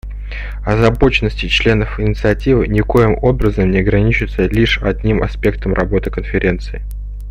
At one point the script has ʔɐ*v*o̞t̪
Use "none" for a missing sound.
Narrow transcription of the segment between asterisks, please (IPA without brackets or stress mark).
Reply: b